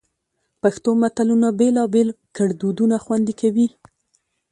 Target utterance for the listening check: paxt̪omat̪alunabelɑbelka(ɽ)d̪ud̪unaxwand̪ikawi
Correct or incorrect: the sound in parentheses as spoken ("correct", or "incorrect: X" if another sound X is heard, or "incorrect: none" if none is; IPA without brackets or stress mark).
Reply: correct